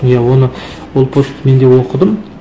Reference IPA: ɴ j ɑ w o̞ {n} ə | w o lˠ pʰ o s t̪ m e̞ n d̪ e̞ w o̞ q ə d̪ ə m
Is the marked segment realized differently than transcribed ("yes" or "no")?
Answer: no